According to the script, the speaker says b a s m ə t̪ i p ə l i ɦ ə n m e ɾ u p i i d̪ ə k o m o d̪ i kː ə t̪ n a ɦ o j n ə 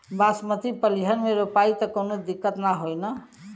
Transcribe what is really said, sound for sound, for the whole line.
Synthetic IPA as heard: b a s m ə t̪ i p ə l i ɦ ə n m e ɾ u p a i t̪ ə k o n o d̪ i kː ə t̪ n a ɦ o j n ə